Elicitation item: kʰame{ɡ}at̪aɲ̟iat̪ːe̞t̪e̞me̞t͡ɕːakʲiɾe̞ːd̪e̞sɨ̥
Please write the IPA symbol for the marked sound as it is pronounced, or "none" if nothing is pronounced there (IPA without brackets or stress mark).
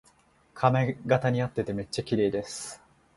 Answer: ɡ